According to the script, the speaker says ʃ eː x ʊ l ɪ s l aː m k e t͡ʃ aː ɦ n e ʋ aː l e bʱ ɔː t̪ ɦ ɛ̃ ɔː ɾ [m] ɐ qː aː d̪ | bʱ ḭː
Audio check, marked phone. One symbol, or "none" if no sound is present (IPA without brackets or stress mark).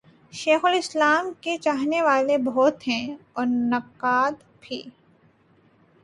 n